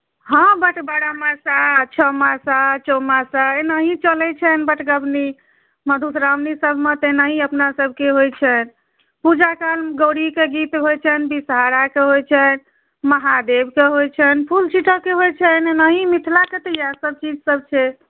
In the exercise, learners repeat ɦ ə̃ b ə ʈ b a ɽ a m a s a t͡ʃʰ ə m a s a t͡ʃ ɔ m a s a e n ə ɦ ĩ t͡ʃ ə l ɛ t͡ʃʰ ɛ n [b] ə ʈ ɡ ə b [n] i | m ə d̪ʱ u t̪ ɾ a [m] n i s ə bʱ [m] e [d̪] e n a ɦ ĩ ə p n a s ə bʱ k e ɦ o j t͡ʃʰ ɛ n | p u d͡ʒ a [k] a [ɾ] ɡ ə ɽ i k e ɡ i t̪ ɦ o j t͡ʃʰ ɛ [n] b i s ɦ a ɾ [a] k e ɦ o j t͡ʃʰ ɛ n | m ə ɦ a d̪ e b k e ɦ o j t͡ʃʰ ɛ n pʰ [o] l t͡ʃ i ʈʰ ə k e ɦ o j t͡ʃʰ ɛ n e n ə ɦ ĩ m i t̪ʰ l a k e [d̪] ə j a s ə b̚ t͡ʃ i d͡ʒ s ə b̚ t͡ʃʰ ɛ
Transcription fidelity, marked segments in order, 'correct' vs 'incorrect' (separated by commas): correct, correct, correct, correct, incorrect, correct, incorrect, correct, correct, incorrect, incorrect